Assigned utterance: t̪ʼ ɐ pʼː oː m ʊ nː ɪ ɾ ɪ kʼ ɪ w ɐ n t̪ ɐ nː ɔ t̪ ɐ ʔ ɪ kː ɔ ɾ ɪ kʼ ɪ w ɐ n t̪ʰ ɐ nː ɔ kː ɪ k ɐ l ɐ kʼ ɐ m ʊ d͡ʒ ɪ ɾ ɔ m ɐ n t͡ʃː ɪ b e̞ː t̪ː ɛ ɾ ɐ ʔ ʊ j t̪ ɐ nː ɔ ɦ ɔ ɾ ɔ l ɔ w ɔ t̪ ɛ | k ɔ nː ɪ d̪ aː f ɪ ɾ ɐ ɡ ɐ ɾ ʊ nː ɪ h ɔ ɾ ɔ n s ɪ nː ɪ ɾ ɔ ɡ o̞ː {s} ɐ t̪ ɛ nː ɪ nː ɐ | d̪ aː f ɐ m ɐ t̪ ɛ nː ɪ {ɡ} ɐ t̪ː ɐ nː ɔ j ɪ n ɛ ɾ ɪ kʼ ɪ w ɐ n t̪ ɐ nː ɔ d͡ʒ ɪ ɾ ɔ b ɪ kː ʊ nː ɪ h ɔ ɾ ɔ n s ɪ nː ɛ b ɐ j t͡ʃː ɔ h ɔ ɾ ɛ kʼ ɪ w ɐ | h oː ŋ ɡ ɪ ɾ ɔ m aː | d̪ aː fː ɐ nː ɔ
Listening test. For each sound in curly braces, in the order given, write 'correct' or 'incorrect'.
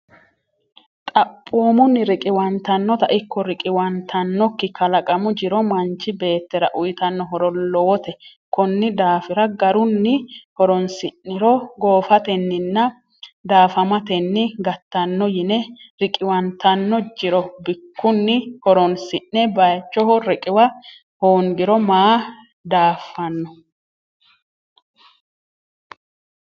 incorrect: f, correct

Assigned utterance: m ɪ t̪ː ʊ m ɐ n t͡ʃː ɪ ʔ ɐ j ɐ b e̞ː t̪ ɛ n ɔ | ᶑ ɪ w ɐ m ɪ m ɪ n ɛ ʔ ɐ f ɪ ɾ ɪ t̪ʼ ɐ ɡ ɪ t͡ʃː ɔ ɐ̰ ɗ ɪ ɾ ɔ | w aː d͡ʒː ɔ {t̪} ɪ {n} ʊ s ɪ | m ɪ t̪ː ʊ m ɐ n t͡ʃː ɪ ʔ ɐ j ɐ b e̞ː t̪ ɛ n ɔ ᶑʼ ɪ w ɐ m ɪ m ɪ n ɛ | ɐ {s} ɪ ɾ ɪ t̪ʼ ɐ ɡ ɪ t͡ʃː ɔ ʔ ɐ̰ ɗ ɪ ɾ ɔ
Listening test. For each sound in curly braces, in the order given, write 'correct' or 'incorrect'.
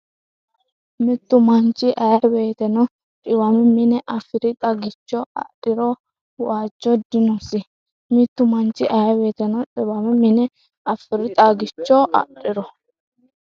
incorrect: d̪, correct, incorrect: f

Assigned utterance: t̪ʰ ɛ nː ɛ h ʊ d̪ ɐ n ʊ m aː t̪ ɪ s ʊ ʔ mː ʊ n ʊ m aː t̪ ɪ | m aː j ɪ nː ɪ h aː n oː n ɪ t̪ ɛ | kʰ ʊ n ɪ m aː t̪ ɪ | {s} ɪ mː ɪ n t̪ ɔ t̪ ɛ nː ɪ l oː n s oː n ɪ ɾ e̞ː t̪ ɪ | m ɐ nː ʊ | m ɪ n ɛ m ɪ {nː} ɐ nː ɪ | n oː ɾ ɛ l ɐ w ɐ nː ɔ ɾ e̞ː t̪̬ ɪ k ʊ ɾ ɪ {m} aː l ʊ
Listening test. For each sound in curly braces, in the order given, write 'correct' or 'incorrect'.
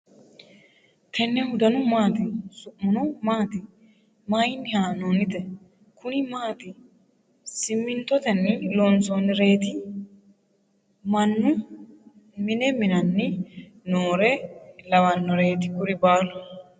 correct, incorrect: n, incorrect: b

